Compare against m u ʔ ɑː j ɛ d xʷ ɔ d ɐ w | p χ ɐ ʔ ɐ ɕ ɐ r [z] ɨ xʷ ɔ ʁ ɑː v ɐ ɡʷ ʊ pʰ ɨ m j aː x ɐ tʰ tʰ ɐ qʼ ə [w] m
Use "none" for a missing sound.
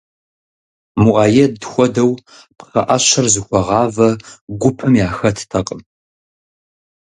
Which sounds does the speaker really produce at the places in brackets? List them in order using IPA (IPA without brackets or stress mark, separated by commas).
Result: z, none